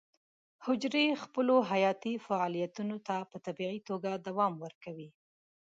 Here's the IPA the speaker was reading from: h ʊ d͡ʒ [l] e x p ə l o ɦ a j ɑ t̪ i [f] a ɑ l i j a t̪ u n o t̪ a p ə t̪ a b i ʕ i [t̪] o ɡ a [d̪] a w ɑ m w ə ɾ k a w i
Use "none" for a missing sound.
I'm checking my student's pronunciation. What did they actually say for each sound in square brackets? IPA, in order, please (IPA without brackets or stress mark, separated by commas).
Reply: ɾ, f, t̪, d̪